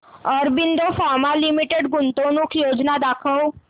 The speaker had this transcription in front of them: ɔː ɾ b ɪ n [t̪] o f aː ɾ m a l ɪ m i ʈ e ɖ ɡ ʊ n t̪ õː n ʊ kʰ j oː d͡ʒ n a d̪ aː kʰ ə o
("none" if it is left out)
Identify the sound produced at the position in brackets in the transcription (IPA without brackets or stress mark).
d̪